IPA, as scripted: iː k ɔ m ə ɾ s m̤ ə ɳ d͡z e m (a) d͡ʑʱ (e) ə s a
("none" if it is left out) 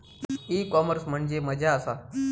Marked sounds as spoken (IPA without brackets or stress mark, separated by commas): ə, a